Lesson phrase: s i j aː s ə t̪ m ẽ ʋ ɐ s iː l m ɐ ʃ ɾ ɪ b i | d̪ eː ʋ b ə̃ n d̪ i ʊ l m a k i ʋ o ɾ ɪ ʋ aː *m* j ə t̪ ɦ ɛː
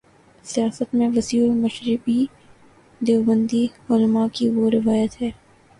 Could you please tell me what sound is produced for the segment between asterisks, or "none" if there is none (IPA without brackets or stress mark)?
none